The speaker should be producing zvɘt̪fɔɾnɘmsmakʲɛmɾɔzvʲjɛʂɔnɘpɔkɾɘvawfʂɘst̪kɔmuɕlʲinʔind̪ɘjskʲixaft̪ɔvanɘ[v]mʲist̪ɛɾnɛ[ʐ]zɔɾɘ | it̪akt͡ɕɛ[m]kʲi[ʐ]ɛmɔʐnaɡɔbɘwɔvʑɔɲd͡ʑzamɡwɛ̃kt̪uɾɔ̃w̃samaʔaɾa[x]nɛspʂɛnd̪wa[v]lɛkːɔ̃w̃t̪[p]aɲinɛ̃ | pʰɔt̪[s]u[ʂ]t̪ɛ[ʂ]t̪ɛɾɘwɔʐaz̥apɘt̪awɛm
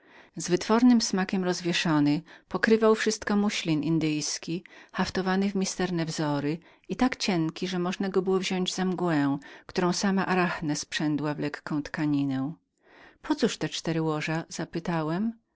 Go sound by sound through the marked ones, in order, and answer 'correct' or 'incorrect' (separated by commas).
correct, incorrect, incorrect, correct, correct, correct, incorrect, correct, correct, incorrect